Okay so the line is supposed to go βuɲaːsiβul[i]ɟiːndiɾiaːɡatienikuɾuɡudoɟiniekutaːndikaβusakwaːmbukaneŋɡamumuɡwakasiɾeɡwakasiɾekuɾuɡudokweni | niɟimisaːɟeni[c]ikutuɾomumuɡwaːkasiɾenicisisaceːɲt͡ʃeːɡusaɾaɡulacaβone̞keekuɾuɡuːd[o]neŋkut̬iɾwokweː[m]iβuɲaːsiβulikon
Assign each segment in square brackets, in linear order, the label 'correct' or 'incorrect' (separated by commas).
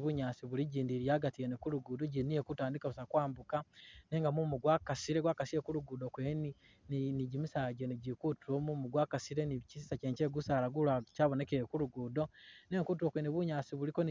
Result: correct, incorrect, correct, incorrect